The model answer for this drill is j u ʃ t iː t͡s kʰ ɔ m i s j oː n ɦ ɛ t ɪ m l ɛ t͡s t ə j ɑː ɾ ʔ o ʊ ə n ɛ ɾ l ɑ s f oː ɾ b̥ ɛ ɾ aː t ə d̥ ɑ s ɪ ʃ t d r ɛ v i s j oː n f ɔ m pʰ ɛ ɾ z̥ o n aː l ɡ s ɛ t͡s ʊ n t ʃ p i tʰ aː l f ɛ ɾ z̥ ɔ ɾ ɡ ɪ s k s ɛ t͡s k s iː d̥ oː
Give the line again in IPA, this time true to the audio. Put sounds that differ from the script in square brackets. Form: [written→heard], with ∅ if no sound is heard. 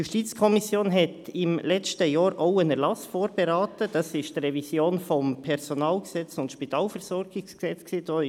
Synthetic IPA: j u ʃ t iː t͡s kʰ ɔ m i s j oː n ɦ ɛ t ɪ m l ɛ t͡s t ə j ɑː ɾ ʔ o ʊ ə n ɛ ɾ l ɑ s f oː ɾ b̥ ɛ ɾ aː t ə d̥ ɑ s ɪ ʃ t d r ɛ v i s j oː n f ɔ m pʰ ɛ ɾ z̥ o n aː l ɡ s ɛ t͡s ʊ n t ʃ p i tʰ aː l f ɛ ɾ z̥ ɔ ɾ ɡ ɪ s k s ɛ t͡s k s iː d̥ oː